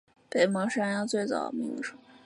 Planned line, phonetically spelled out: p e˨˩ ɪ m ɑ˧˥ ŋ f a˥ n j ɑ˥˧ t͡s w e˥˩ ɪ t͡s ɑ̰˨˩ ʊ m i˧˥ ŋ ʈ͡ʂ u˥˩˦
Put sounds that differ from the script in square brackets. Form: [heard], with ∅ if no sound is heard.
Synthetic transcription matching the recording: p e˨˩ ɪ m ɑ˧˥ ŋ [ʂ] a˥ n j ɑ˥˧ t͡s w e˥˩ ɪ t͡s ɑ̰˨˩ ʊ m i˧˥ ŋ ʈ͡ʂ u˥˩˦